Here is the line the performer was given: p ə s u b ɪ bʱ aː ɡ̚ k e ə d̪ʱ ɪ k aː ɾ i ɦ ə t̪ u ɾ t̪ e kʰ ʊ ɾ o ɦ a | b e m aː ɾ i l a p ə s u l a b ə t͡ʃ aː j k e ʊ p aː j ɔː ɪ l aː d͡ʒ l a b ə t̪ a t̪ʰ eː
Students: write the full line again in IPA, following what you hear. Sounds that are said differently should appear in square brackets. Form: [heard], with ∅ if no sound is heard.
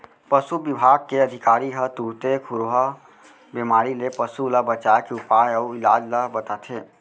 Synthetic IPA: p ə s u b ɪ bʱ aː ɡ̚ k e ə d̪ʱ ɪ k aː ɾ i ɦ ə t̪ u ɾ t̪ e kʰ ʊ ɾ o ɦ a | b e m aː ɾ i l [e] p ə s u l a b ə t͡ʃ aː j k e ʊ p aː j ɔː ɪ l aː d͡ʒ l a b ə t̪ a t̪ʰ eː